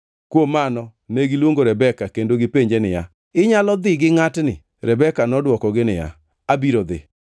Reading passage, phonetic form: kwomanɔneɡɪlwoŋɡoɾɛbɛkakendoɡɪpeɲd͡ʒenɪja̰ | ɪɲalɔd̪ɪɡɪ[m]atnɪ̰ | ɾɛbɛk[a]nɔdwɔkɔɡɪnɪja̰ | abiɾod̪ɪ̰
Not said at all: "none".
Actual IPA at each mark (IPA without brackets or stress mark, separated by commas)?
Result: ŋ, a